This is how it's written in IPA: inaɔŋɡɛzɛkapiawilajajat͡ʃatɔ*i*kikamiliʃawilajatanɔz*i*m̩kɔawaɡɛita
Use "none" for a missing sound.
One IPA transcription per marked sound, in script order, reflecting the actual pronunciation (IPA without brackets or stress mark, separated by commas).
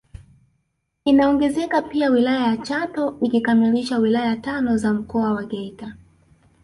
i, a